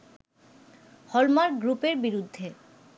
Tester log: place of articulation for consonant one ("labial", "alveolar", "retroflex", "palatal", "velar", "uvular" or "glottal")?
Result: glottal